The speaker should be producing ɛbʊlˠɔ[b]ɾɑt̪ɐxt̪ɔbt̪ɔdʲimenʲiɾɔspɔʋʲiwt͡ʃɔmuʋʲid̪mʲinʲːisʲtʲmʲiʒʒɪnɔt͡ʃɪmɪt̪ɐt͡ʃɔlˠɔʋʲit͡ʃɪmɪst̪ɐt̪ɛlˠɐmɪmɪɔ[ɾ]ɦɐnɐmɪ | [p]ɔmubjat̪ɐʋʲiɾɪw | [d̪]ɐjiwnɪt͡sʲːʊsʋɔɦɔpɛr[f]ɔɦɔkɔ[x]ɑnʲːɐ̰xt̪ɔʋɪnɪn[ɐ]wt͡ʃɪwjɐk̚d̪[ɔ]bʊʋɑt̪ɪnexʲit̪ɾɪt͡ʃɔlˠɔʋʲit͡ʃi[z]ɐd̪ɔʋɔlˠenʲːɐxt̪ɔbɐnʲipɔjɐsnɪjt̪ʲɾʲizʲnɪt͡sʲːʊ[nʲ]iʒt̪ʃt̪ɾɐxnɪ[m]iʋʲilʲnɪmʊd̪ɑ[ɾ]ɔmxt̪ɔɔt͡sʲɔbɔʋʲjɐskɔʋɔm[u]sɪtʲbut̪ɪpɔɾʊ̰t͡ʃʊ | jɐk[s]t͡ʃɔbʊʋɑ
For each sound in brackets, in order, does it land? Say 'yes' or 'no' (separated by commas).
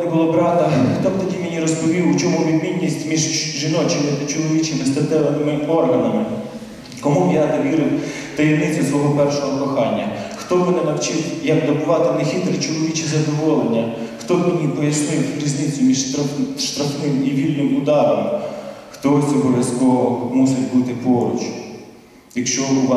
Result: yes, no, no, no, no, yes, yes, yes, yes, no, yes, yes, yes, no